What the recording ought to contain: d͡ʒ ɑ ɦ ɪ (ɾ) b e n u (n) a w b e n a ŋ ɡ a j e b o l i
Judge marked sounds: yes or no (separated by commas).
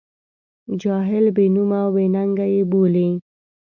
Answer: no, no